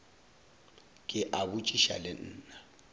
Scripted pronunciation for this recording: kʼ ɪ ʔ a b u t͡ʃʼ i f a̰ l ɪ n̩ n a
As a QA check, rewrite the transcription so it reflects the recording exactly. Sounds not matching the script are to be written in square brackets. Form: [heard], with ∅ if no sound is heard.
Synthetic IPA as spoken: kʼ ɪ ʔ a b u t͡ʃʼ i [ʃ] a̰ l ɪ [n̩ː] n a

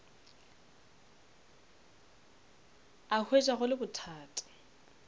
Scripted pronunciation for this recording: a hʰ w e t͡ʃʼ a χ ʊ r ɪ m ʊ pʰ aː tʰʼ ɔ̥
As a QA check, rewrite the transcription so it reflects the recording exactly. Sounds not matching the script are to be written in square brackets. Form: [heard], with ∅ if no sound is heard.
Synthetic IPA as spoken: a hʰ w e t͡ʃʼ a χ ʊ [l] ɪ [b] ʊ [tʰ] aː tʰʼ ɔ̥

